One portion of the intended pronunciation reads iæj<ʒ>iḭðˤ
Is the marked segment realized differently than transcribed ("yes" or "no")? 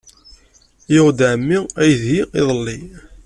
yes